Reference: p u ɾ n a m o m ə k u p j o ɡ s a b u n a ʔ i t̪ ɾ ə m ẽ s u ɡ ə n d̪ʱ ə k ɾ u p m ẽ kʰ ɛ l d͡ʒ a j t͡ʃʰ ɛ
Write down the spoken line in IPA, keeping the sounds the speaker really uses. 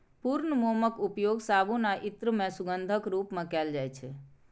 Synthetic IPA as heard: p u ɾ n ə m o m ə k u p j o ɡ s a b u n a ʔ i t̪ ɾ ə m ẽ s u ɡ ə n d̪ʱ ə k ɾ u p m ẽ k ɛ l d͡ʒ a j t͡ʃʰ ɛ